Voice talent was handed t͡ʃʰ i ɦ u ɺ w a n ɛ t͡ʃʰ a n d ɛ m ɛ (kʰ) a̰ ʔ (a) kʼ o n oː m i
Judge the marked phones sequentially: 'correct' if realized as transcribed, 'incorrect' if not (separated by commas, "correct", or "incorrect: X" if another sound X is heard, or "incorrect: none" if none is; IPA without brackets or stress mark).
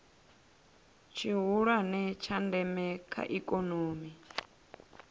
correct, incorrect: i